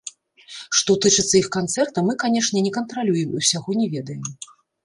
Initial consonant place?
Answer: retroflex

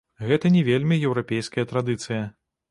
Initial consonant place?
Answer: velar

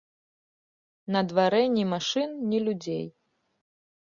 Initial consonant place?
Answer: alveolar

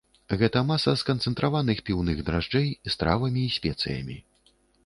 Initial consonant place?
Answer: velar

